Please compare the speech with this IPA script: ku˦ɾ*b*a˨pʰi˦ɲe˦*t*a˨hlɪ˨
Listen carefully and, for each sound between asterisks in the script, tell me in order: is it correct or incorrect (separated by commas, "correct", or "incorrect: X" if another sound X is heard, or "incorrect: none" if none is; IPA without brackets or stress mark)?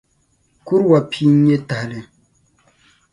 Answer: incorrect: w, correct